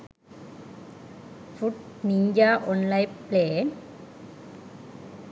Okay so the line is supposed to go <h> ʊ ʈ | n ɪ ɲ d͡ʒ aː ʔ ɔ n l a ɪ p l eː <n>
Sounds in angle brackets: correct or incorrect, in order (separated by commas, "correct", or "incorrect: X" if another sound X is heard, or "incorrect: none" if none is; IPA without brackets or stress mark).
incorrect: f, correct